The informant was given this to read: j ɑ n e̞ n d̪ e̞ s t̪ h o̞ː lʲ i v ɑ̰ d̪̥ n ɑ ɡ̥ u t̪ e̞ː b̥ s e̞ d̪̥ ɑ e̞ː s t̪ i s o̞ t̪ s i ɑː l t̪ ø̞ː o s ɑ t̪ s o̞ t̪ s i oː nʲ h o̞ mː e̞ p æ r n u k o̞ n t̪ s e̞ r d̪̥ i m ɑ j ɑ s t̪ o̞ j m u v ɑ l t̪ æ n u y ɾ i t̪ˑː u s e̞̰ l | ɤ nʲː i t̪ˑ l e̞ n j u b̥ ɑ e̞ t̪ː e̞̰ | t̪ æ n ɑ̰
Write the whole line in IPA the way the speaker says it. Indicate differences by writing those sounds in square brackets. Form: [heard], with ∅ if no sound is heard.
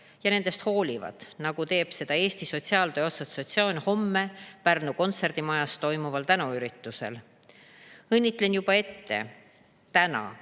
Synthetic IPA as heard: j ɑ n e̞ n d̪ e̞ s t̪ h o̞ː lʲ i v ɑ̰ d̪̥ n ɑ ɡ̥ u t̪ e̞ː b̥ s e̞ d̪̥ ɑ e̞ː s t̪ i s o̞ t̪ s i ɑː l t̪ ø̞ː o s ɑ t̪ s o̞ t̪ s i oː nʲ h o̞ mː e̞ p æ r n u k o̞ n t̪ s e̞ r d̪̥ i m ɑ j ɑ s t̪ o̞ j m u v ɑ l t̪ æ n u y ɾ i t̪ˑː u s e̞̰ l | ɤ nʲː i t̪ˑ l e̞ n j u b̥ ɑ e̞ t̪ː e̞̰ | t̪ æ n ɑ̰

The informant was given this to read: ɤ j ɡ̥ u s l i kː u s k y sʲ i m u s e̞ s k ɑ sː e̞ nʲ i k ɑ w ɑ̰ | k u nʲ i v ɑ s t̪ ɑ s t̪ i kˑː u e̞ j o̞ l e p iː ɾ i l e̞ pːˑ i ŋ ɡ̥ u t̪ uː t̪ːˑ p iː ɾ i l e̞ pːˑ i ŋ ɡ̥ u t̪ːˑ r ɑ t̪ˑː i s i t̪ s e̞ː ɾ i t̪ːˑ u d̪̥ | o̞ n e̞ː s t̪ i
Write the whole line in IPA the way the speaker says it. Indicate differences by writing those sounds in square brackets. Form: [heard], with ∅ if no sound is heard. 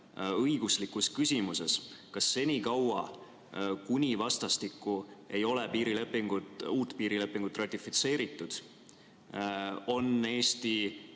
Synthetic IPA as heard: ɤ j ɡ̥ u s l i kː u s k y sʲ i m u s e̞ s k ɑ sː e̞ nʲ i k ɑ w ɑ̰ | k u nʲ i v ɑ s t̪ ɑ s t̪ i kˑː u e̞ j o̞ l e p iː ɾ i l e̞ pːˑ i ŋ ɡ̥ u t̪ uː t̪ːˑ p iː ɾ i l e̞ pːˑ i ŋ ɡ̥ u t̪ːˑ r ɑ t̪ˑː i [f] i t̪ s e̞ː ɾ i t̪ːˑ u d̪̥ | o̞ n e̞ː s t̪ i

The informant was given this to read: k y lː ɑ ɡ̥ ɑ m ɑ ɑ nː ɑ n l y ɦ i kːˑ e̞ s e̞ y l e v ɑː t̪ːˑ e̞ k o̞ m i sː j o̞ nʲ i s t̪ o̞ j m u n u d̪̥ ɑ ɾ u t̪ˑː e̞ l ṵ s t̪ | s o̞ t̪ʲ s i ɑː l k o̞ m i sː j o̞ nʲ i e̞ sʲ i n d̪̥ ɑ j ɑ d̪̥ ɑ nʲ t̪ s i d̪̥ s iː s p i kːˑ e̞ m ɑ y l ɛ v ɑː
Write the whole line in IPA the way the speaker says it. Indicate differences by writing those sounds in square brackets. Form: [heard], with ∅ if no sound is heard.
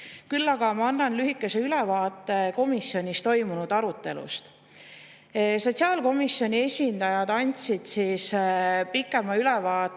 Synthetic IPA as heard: k y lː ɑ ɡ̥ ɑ m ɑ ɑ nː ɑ n l y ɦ i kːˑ e̞ s e̞ y l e v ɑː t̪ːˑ e̞ k o̞ m i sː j o̞ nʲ i s t̪ o̞ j m u n u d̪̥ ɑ ɾ u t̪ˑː e̞ l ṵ s t̪ | s o̞ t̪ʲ s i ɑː l k o̞ m i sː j o̞ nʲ i e̞ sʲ i n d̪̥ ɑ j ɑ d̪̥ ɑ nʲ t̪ s i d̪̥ s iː s p i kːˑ e̞ m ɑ y l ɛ v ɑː

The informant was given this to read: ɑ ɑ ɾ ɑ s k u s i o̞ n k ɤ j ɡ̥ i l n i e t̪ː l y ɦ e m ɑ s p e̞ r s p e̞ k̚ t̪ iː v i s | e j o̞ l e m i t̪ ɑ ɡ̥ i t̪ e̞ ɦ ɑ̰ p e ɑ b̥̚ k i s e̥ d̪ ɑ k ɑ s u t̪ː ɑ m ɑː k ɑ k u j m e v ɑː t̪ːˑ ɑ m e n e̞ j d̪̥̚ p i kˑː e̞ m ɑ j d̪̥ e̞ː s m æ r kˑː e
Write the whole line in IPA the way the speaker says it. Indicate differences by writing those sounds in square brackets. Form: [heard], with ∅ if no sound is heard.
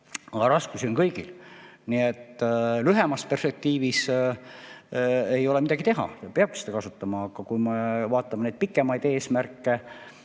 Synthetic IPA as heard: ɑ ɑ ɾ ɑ s k u s i o̞ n k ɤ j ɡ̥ i l n i e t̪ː l y ɦ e m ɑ s p e̞ r s p e̞ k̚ t̪ iː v i s | e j o̞ l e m i [d̪] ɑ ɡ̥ i t̪ e̞ ɦ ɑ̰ p e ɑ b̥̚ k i s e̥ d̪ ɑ k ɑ s u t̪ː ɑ m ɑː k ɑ k u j m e v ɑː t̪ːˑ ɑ m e n e̞ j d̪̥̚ p i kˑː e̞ m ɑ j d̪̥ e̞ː s m æ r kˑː e

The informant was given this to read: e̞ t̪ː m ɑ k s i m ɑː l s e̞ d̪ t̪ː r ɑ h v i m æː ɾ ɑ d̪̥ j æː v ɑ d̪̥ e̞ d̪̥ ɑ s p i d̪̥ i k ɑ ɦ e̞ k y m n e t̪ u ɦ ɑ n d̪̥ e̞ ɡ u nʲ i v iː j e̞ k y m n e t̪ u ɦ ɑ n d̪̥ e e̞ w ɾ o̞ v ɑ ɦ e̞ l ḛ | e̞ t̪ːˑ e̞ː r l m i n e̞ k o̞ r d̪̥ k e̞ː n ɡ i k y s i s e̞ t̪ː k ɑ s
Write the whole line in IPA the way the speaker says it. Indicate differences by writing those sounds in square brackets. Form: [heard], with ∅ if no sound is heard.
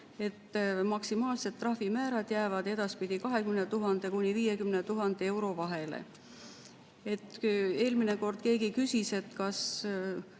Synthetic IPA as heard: e̞ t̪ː m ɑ k s i m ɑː l s e̞ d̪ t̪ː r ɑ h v i m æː ɾ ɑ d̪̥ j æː v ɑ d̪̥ e̞ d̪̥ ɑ s p i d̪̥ i k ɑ ɦ e̞ k y m n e t̪ u ɦ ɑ n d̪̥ e̞ [k] u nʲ i v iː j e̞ k y m n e t̪ u ɦ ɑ n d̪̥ e e̞ w ɾ o̞ v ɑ ɦ e̞ l ḛ | e̞ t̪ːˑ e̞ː [∅] l m i n e̞ k o̞ r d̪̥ k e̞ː [∅] ɡ i k y s i s e̞ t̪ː k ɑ s

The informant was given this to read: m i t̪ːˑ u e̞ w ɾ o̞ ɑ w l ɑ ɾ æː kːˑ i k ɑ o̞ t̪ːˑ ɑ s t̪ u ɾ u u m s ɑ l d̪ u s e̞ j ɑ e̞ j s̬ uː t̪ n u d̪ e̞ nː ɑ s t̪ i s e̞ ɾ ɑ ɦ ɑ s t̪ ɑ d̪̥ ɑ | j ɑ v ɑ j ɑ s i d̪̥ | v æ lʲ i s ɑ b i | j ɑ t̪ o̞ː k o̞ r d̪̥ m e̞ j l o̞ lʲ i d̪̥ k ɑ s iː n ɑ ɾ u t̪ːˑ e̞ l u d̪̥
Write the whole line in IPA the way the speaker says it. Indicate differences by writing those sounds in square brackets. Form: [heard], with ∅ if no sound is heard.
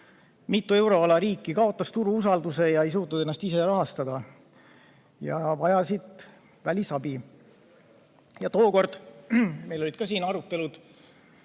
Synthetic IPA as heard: m i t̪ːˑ u e̞ w ɾ o̞ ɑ [∅] l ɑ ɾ [iː] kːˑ i k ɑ o̞ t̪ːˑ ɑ s t̪ u ɾ u u [∅] s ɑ l d̪ u s e̞ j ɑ e̞ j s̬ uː t̪ n u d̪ e̞ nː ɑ s t̪ i s e̞ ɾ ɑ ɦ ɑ s t̪ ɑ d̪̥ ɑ | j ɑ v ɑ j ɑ s i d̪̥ | v æ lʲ i s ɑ b i | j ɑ t̪ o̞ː k o̞ r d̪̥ m e̞ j l o̞ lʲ i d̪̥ k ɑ s iː n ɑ ɾ u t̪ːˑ e̞ l u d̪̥

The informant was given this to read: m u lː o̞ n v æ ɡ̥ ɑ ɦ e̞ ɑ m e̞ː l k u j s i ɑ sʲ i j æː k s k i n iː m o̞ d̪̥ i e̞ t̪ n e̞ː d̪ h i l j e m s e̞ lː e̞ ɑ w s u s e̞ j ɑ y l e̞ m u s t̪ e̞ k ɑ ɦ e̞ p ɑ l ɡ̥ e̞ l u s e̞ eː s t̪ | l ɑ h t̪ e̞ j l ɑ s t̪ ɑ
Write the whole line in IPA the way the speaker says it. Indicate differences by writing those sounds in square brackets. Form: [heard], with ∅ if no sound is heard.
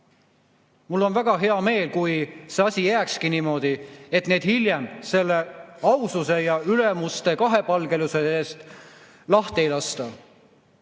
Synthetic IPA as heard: m u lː o̞ n v æ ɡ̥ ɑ ɦ e̞ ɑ m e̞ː l k u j s [e] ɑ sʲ i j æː k s k i n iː m o̞ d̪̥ i e̞ t̪ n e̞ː d̪ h i l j e m s e̞ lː e̞ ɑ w s u s e̞ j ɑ y l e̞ m u s t̪ e̞ k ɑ ɦ e̞ p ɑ l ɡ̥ e̞ l u s e̞ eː s t̪ | l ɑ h t̪ e̞ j l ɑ s t̪ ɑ

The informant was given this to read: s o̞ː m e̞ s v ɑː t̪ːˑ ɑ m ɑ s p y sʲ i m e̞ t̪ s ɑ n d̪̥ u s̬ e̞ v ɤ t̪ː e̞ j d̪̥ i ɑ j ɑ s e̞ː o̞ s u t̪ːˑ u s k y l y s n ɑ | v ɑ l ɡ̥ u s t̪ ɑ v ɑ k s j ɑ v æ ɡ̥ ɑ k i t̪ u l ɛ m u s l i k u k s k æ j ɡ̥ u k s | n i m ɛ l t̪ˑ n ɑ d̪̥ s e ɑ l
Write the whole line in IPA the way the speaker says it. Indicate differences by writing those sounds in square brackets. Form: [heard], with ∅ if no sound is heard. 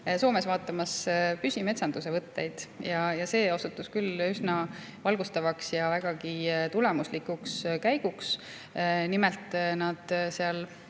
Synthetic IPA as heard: s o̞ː m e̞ s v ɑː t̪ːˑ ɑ m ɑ s p y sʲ i m e̞ t̪ s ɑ n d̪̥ u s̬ e̞ v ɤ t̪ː e̞ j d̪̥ [j] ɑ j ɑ s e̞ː o̞ s u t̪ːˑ u s k y l y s n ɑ | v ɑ l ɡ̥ u s t̪ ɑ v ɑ k s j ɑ v æ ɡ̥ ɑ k i t̪ u l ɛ m u s l i k u k s k æ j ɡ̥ u k s | n i m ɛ l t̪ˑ n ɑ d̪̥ s e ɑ l

